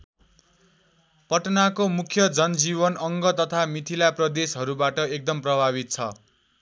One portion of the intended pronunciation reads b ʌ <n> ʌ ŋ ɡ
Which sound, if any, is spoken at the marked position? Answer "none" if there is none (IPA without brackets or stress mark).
n